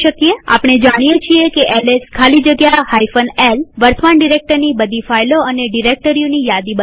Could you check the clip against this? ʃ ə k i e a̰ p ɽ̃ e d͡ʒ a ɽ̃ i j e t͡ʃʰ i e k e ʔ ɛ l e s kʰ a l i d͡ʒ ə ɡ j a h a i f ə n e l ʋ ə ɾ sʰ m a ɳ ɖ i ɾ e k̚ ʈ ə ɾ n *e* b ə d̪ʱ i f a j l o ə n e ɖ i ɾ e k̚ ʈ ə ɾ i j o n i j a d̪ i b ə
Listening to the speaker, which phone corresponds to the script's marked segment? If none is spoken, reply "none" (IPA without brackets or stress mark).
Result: i